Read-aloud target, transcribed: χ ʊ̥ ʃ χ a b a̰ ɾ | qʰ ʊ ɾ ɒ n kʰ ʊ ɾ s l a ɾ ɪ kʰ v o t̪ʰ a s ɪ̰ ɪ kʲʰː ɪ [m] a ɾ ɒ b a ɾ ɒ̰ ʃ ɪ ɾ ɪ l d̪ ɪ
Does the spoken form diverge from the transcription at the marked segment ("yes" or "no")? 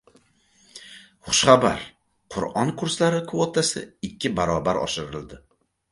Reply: yes